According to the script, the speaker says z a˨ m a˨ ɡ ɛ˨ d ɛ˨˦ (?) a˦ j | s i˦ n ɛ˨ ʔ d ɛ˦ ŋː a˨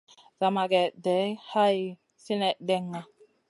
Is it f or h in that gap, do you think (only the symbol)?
h